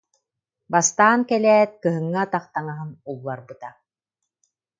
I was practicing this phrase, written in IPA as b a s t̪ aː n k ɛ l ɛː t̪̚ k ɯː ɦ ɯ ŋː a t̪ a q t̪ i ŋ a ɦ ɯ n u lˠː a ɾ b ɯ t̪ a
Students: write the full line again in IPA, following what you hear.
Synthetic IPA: b a s t̪ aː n k ɛ l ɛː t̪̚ k ɯ ɦ ɯ ŋː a t̪ a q t̪ a ŋ a ɦ ɯ n u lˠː a ɾ b ɯ t̪ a

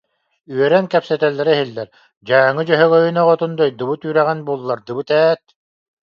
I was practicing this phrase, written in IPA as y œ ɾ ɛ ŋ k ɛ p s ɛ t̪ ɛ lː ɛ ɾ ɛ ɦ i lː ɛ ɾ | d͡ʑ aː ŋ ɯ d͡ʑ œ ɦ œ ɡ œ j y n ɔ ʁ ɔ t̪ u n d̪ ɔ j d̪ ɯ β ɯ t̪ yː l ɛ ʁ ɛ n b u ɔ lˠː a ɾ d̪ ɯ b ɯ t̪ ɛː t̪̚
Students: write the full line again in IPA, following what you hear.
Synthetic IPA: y œ ɾ ɛ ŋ k ɛ p s ɛ t̪ ɛ lː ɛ ɾ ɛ ɦ i lː ɛ ɾ | d͡ʑ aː ŋ ɯ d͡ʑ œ ɦ œ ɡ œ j y n ɔ ʁ ɔ t̪ u n d̪ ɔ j d̪ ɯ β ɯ t̪ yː ɾ ɛ ʁ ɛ n b u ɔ lˠː a ɾ d̪ ɯ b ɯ t̪ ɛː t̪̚

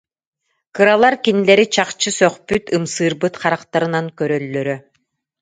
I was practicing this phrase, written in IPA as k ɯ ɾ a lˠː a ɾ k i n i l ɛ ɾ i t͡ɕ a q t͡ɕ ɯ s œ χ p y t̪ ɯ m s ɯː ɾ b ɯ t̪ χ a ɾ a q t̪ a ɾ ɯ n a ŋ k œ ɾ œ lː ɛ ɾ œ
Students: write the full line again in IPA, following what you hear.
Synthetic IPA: k ɯ ɾ a lˠ a ɾ k i n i l ɛ ɾ i t͡ɕ a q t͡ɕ ɯ s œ χ p y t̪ ɯ m s ɯː ɾ b ɯ t̪ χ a ɾ a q t̪ a ɾ ɯ n a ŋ k œ ɾ œ lː œ ɾ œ

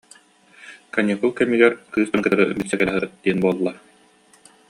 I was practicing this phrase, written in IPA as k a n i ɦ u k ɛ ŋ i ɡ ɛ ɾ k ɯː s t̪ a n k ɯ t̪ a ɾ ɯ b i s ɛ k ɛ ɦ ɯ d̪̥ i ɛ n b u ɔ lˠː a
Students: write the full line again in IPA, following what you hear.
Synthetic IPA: k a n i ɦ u k ɛ m i ɡ ɛ ɾ k ɯː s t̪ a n k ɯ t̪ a ɾ ɯ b i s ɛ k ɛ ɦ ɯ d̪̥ i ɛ n b u ɔ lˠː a

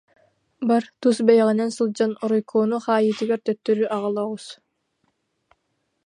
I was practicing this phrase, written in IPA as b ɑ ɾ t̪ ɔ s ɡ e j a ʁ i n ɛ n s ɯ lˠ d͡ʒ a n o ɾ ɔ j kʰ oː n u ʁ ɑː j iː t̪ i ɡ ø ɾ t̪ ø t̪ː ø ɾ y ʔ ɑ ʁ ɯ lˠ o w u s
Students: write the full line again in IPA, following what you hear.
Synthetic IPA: b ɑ ɾ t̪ u s b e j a ʁ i n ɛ n s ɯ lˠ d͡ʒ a n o ɾ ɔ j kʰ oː n u χ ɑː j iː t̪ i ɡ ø ɾ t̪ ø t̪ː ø ɾ y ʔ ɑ ʁ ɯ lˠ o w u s

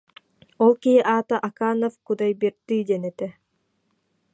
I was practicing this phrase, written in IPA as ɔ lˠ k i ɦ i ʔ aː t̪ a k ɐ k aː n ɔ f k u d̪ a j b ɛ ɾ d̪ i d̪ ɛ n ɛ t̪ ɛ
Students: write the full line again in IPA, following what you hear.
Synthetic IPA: ɔ lˠ k i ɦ i ʔ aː t̪ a ʔ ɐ k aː n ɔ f k u d̪ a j b i ɾ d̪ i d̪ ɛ n ɛ t̪ ɛ

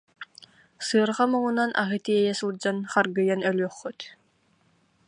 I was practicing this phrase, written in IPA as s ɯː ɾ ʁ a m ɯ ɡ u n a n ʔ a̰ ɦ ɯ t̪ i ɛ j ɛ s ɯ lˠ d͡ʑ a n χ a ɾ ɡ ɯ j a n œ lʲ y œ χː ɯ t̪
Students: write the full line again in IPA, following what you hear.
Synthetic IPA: s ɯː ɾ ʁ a m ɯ ŋ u n a n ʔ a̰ ɦ ɯ t̪ i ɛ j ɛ s ɯ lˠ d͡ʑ a n χ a ɾ ɡ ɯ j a n œ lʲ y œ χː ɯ t̪

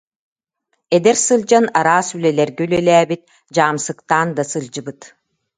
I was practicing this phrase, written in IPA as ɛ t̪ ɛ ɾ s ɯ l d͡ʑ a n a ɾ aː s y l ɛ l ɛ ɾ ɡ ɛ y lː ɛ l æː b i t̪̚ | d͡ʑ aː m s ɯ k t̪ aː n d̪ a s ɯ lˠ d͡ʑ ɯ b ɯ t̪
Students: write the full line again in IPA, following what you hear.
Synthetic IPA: ɛ d̪ ɛ ɾ s ɯ l d͡ʑ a n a ɾ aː s y l ɛ l ɛ ɾ ɡ ɛ y l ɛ l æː b i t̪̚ | d͡ʑ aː m s ɯ k t̪ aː n d̪ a s ɯ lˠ d͡ʑ ɯ b ɯ t̪

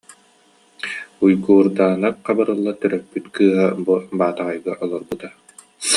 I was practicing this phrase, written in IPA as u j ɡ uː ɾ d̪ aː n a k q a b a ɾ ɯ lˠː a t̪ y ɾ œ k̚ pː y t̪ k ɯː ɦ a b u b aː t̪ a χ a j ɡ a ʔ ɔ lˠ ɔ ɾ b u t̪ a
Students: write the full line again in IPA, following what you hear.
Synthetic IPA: u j ɡ uː ɾ d̪ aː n a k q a b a ɾ ɯ lˠː a t̪ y ɾ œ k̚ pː y t̪ k ɯː ɦ a b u b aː t̪ a ʁ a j ɡ a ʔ ɔ lˠ ɔ ɾ b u t̪ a

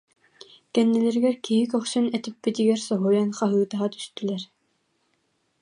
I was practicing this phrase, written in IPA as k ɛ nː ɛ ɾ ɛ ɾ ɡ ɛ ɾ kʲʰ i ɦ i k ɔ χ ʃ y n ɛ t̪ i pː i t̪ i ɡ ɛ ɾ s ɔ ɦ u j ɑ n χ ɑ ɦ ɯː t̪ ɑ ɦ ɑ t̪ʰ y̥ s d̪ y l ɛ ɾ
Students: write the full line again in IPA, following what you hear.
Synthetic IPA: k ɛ nː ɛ l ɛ ɾ ɡ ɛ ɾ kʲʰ i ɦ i k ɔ χ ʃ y n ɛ t̪ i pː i t̪ i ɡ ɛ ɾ s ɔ ɦ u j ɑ n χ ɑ ɦ ɯː t̪ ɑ ɦ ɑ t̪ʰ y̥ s t̪ y l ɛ ɾ

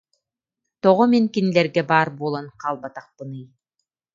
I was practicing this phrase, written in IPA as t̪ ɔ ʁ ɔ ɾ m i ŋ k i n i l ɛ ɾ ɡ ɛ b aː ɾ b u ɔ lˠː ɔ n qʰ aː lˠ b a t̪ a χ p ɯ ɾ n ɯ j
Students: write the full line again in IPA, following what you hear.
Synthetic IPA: t̪ ɔ ʁ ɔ m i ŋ k i n i l ɛ ɾ ɡ ɛ b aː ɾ b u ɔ lˠ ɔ n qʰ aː lˠ b a t̪ a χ p ɯ n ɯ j

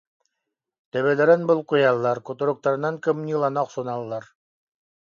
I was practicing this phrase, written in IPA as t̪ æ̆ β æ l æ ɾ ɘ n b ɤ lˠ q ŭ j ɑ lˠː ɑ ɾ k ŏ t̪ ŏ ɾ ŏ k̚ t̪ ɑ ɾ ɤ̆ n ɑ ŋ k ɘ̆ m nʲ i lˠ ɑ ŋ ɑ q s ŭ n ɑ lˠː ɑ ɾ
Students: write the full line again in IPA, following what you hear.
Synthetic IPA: t̪ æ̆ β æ l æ ɾ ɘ n b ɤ lˠ q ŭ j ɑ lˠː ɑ ɾ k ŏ t̪ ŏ ɾ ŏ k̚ t̪ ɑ ɾ ɤ̆ n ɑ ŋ k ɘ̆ m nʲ i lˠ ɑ n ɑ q s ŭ n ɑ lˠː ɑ ɾ

